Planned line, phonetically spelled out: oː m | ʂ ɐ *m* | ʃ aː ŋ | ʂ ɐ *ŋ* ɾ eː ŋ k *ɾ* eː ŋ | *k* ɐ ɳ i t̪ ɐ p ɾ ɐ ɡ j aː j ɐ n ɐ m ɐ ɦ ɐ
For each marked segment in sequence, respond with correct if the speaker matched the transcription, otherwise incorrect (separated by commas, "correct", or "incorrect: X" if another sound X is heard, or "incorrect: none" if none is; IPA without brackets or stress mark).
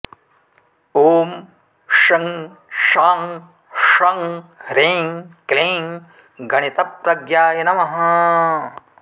incorrect: ŋ, correct, incorrect: l, incorrect: ɡ